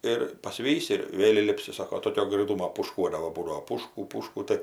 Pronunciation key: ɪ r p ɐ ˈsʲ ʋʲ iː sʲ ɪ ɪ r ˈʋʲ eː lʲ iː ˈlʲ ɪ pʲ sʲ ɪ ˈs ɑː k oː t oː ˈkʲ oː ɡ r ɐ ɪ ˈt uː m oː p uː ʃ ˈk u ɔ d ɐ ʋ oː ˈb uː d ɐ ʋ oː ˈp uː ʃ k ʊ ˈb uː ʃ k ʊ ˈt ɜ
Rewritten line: ɪ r p ɐ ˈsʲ ʋʲ iː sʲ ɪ ɪ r ˈʋʲ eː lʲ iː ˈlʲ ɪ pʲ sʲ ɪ ˈs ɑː k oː t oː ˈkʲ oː ɡ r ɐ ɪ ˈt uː m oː p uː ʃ ˈk u ɔ d ɐ ʋ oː ˈb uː d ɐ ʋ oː ˈp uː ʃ k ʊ ˈp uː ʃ k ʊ ˈt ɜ